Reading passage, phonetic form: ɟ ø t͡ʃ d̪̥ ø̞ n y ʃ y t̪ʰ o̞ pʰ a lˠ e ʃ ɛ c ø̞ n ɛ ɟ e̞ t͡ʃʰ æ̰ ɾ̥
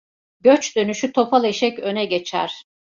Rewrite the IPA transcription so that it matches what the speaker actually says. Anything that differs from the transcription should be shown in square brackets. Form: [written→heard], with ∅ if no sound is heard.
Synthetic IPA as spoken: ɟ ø t͡ʃ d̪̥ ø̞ n y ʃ y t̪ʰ o̞ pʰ a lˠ e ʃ ɛ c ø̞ n ɛ ɟ e̞ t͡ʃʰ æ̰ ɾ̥